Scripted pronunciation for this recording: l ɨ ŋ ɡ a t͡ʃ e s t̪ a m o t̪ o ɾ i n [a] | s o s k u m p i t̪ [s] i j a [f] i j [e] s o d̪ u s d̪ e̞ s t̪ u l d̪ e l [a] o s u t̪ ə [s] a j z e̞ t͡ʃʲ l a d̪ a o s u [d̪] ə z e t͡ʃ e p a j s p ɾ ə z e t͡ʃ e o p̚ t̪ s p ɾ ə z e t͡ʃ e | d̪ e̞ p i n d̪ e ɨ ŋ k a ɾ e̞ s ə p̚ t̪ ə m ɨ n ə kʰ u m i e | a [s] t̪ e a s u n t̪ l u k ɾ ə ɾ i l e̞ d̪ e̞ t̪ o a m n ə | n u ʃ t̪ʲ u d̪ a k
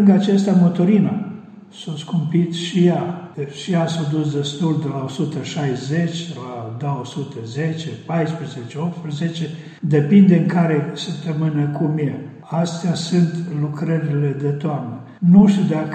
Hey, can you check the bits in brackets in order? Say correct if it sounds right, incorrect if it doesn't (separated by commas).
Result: correct, incorrect, incorrect, incorrect, correct, incorrect, incorrect, correct